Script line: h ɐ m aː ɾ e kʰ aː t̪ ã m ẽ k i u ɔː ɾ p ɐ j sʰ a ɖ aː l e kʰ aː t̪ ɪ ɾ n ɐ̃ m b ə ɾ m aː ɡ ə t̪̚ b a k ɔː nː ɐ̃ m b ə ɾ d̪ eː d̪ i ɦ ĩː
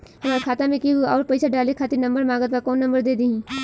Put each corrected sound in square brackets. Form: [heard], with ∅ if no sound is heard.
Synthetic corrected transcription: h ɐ m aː ɾ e kʰ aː t̪ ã m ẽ k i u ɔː ɾ p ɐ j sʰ a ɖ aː l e kʰ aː t̪ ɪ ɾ n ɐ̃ m b ə ɾ m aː ɡ ə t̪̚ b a k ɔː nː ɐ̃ m b ə ɾ d̪ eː d̪ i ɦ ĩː